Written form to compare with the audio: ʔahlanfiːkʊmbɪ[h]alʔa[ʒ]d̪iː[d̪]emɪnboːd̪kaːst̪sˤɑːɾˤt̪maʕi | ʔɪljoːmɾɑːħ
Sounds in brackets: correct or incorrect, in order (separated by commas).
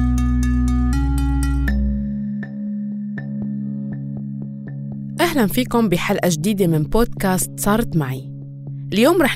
incorrect, correct, correct